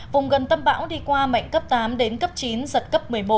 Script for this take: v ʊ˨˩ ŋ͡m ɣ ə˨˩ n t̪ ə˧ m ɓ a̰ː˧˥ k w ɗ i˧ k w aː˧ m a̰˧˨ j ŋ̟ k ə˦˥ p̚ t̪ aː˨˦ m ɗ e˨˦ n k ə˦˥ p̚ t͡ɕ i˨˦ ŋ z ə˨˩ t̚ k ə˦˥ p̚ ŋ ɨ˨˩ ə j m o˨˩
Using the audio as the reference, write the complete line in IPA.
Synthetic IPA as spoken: v ʊ˨˩ ŋ͡m ɣ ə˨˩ n t̪ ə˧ m ɓ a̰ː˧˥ w ɗ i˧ k w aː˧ m a̰˧˨ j ŋ̟ k ə˦˥ p̚ t̪ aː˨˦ m ɗ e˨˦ n k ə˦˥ p̚ t͡ɕ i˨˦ n z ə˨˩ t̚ k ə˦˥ p̚ m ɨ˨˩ ə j m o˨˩

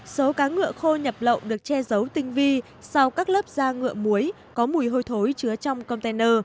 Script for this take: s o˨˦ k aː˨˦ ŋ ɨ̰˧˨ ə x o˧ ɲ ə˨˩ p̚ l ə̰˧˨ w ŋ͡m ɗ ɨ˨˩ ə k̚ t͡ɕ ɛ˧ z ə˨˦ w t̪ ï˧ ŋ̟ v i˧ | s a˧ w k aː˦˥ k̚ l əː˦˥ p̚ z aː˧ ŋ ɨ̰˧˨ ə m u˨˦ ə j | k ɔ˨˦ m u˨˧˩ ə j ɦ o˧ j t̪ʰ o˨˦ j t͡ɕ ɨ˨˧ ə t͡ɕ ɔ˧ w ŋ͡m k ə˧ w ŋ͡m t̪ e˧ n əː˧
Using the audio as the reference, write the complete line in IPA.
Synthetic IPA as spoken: s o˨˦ k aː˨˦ ŋ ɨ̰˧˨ ə x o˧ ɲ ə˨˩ p̚ l ə̰˧˨ w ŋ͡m ɗ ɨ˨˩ ə k̚ t͡ɕ ɛ˧ z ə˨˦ w t̪ ï˧ ŋ̟ v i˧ | s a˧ w k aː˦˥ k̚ l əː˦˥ p̚ z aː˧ ŋ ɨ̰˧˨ ə m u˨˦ ə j | k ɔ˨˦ m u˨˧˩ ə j ɦ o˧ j t̪ʰ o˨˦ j t͡ɕ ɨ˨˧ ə t͡ɕ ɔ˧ w ŋ͡m k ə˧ w ŋ͡m t̪ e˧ n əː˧

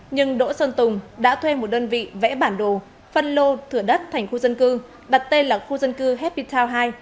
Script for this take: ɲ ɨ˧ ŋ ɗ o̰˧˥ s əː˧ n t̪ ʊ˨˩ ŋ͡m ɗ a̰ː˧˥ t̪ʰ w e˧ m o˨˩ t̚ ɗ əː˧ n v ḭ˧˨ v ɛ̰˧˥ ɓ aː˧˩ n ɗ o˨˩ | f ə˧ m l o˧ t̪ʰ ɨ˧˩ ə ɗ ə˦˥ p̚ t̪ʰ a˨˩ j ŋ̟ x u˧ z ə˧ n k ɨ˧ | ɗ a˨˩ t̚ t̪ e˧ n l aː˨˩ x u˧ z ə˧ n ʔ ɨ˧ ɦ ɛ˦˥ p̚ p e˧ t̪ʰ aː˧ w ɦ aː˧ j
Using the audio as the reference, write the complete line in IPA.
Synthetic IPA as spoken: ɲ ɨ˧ ŋ ɗ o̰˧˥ s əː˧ n t̪ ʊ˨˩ ŋ͡m ɗ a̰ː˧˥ t̪ʰ w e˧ m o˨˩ t̚ ɗ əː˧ n v ḭ˧˨ v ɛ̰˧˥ ɓ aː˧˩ n ɗ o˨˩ | f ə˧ n l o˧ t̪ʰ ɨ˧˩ ə ɗ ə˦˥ t̚ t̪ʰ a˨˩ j ŋ̟ x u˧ z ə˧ n k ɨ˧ | ɗ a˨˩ t̚ t̪ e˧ n l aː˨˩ x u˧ z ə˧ n k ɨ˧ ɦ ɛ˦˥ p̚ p i˧ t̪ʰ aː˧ w ɦ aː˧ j

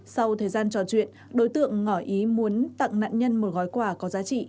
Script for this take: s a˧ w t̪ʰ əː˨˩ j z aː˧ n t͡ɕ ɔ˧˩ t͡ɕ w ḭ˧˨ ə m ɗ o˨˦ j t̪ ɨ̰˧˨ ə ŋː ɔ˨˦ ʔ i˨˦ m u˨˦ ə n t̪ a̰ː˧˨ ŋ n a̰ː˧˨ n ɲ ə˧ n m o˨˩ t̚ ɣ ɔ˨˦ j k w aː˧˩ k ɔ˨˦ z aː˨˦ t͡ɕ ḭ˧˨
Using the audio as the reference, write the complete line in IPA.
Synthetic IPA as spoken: s a˧ w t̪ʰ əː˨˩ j z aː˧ n t͡ɕ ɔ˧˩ t͡ɕ w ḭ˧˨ ə n ɗ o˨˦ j t̪ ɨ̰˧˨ ə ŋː ɔ˧˩ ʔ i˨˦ m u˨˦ ə n t̪ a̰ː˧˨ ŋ n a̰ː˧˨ n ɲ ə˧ n m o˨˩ t̚ ɣ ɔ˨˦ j k w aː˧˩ k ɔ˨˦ z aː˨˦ t͡ɕ ḭ˧˨

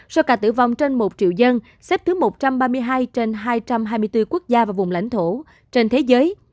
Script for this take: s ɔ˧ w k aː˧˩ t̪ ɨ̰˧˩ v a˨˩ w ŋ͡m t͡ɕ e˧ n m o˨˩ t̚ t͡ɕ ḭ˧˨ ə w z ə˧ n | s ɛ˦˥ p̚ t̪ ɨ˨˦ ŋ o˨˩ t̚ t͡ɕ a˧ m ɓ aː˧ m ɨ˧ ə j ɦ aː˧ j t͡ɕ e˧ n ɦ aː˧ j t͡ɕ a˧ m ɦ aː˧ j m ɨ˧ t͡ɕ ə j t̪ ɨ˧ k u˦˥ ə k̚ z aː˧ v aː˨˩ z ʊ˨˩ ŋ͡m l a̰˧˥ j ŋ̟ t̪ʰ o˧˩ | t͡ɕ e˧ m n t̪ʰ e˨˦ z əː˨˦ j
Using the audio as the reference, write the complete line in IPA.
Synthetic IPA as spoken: s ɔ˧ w k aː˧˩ t̪ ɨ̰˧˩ v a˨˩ w ŋ͡m t͡ɕ e˧ n m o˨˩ t̚ t͡ɕ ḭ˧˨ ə w z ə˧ n | s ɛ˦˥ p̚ t̪ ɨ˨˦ m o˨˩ t̚ t͡ɕ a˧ m ɓ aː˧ m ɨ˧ ə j ɦ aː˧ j t͡ɕ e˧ n ɦ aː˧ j t͡ɕ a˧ m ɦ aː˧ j m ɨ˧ ə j t̪ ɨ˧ k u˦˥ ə k̚ z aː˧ v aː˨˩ v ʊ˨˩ ŋ͡m l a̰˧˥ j ŋ̟ t̪ʰ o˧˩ | t͡ɕ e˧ n t̪ʰ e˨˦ z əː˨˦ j

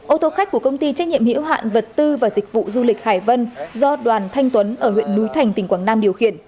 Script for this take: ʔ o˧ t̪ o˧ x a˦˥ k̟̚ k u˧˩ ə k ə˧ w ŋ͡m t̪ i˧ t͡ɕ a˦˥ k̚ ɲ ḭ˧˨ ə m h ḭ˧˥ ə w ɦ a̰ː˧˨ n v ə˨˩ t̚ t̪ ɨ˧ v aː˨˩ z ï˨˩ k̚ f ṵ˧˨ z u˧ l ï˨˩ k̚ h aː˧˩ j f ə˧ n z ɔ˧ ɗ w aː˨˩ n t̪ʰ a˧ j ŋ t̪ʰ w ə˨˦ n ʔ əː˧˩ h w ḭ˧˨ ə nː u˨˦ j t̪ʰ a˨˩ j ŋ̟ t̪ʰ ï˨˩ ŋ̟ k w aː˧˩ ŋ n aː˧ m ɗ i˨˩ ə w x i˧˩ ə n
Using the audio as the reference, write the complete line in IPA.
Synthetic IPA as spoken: ʔ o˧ t̪ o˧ x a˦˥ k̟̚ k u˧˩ ə k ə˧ w ŋ͡m t̪ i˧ t͡ɕ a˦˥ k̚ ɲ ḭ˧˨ ə m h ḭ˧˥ ə w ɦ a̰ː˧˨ n v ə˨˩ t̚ t̪ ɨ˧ v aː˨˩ z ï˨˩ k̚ v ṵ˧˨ z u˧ l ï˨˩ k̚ h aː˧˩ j v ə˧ n z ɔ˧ ɗ w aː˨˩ n t̪ʰ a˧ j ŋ t̪ w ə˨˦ n ʔ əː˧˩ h w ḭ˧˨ ə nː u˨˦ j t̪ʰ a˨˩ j ŋ̟ t̪ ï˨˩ ŋ̟ k w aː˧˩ ŋ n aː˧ m ɗ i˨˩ ə w x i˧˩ ə n

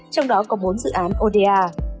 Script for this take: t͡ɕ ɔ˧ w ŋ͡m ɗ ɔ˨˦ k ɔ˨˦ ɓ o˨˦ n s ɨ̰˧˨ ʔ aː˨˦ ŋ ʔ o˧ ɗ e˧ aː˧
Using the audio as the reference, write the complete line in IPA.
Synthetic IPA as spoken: t͡ɕ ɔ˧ w ŋ͡m ɗ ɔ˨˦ k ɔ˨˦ ɓ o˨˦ n z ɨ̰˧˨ ʔ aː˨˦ n ʔ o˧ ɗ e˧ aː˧

